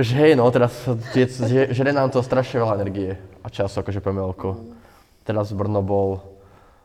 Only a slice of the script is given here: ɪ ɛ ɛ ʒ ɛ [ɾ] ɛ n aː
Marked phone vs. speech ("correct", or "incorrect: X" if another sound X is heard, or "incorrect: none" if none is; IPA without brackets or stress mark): correct